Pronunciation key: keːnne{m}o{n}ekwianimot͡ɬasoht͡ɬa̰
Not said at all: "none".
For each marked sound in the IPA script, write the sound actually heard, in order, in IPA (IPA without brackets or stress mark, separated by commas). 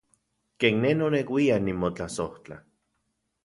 n, n